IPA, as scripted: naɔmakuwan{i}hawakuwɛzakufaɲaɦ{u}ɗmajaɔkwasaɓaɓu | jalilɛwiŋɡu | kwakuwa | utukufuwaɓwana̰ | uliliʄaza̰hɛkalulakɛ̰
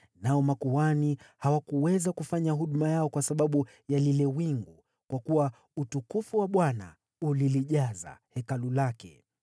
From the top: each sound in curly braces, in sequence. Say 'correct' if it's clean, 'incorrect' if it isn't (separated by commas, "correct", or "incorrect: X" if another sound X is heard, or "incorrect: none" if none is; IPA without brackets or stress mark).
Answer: correct, correct